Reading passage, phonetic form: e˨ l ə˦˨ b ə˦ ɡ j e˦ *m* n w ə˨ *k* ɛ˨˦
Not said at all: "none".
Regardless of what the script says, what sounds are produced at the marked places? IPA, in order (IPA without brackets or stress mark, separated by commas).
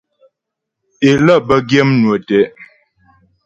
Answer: m, t